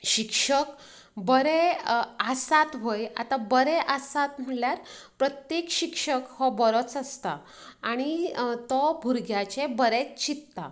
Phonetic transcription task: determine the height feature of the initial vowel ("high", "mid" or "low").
high